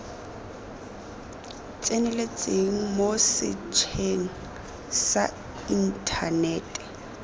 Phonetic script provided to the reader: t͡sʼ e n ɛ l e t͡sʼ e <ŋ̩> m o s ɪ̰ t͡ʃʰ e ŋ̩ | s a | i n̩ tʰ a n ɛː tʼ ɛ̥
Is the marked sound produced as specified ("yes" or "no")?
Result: yes